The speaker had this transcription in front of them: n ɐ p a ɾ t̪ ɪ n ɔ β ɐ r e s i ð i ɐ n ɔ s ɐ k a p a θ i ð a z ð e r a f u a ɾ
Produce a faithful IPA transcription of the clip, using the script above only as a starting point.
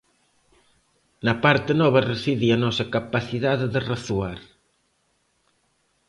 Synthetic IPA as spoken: n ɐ p a ɾ t̪ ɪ n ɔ β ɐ r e s i ð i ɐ n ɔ s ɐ k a p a θ i ð a ð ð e r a θ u a ɾ